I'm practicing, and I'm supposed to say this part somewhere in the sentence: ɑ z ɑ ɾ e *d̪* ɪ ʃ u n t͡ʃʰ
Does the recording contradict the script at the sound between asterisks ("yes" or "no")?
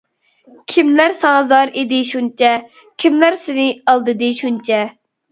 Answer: no